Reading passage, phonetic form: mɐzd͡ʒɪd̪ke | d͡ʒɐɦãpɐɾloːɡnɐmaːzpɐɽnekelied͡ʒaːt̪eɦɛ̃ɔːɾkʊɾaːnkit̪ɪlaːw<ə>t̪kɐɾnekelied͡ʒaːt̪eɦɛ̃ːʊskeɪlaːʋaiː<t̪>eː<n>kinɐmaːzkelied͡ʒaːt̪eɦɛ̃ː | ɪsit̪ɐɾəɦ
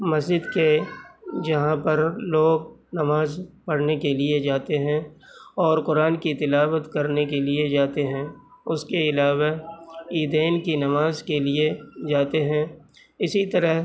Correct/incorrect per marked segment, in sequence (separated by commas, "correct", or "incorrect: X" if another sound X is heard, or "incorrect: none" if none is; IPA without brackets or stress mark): correct, incorrect: d̪, correct